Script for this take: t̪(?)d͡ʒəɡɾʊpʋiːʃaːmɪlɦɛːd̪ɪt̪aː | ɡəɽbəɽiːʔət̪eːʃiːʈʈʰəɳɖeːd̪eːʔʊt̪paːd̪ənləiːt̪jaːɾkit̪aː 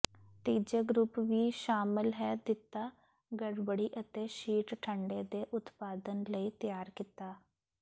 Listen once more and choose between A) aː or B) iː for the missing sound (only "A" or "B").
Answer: B